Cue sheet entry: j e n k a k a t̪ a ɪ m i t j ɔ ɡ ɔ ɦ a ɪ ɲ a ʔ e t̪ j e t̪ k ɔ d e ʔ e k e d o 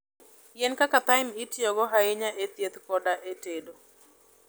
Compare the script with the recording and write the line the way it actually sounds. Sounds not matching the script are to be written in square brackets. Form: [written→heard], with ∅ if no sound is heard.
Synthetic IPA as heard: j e n k a k a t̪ a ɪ m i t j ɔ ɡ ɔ ɦ a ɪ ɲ a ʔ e t̪ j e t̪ k ɔ d [e→a] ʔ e [k→t] e d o